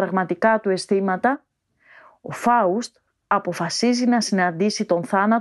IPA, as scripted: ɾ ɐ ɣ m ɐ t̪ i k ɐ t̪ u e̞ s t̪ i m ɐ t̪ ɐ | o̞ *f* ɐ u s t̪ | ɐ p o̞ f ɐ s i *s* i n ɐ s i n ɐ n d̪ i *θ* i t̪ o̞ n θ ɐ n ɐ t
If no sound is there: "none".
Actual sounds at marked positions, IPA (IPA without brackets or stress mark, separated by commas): f, z, s